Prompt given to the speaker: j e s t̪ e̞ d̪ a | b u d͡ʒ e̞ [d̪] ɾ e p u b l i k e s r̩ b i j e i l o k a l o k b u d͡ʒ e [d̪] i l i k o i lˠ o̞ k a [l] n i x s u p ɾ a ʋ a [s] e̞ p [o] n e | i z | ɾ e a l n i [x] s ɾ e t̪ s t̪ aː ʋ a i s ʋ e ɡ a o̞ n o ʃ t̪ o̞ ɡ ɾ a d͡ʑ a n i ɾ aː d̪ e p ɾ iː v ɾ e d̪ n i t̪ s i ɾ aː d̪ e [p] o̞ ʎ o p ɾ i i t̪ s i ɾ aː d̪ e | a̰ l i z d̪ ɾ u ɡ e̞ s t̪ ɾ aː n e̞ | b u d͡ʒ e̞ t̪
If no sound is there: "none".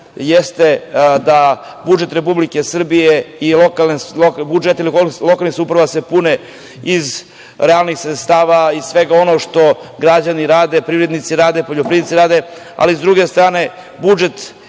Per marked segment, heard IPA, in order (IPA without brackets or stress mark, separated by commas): t̪, t̪, l, s, u, x, p